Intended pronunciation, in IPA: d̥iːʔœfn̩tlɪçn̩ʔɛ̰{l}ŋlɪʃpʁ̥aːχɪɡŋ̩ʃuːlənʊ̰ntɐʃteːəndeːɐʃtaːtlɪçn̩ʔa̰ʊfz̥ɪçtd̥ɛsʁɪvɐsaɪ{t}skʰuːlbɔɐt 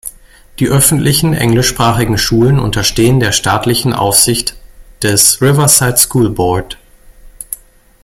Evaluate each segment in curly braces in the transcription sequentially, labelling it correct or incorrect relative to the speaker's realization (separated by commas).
incorrect, correct